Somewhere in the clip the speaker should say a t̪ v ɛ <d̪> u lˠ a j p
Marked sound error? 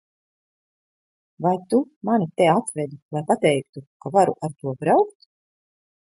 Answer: no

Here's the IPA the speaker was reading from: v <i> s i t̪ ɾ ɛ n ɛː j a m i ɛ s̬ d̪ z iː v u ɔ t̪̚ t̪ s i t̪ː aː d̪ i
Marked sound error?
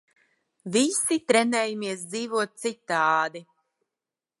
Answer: no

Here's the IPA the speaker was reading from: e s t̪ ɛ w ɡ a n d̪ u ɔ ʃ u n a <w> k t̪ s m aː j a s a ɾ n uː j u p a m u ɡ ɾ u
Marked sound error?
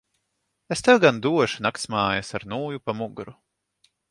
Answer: yes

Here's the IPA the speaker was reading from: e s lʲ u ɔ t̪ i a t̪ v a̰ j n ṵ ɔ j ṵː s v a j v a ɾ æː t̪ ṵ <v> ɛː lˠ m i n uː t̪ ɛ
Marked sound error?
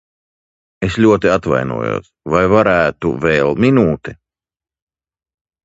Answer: no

